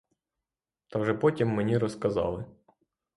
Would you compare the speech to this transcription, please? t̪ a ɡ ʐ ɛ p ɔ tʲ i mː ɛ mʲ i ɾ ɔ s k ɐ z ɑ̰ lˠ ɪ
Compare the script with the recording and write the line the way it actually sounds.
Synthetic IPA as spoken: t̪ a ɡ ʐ ɛ p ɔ tʲ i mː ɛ nʲ i ɾ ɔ s k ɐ z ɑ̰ lˠ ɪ